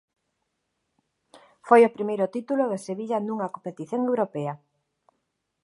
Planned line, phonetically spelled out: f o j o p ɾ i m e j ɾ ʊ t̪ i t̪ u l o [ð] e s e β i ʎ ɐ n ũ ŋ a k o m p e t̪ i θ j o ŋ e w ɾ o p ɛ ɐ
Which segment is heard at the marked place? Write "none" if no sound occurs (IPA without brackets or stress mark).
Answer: ð